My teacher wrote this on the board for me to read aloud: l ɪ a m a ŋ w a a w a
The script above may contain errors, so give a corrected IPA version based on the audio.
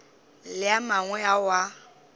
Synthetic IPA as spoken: l ɪ a m a ŋ w ɛ a w a